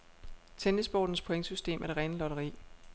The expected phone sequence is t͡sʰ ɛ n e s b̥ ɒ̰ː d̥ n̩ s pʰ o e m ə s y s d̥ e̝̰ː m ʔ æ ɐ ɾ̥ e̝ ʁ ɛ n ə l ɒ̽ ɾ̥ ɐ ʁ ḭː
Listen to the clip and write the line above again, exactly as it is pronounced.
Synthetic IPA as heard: t͡sʰ e n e s b̥ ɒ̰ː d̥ n̩ s pʰ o e ŋ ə s y s d̥ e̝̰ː m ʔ æ ɐ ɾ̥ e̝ ʁ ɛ n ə l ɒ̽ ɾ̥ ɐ ʁ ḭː